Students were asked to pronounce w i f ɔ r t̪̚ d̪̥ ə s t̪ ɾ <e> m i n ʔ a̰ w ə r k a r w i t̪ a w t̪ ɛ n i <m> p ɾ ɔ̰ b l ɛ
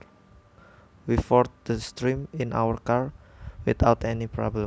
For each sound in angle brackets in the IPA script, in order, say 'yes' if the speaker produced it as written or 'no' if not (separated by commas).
no, no